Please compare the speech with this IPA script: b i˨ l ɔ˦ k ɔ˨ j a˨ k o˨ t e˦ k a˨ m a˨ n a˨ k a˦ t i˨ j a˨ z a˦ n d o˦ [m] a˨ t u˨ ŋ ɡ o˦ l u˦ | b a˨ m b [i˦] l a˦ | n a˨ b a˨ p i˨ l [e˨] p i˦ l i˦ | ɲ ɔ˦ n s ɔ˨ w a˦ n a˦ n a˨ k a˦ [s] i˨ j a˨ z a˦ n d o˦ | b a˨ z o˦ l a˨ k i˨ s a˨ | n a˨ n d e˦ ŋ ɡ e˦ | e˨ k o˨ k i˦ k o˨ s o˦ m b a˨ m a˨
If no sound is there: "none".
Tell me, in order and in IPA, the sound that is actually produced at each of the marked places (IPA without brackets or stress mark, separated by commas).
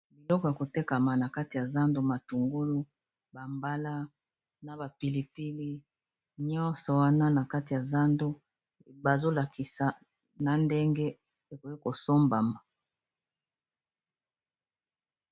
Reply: m, a˦, i˨, t